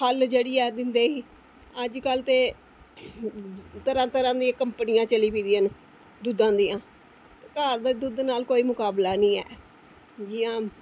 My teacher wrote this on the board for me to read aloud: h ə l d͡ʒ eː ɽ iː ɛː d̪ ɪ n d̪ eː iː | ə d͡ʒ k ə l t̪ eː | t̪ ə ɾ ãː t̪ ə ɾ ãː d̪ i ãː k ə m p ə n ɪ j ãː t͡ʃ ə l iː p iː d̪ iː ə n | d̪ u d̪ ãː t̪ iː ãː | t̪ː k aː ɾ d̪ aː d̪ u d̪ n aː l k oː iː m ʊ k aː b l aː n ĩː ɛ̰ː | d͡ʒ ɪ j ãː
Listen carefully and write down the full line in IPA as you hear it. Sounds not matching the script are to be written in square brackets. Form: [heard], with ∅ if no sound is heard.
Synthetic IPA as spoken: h ə l d͡ʒ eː ɽ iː ɛː d̪ ɪ n d̪ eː iː | ə d͡ʒ k ə l t̪ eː | t̪ ə ɾ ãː t̪ ə ɾ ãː d̪ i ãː k ə m p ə n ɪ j ãː t͡ʃ ə l iː p iː d̪ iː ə n | d̪ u d̪ ãː [d̪] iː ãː | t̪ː k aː ɾ d̪ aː d̪ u d̪ n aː l k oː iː m ʊ k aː b l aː n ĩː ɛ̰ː | d͡ʒ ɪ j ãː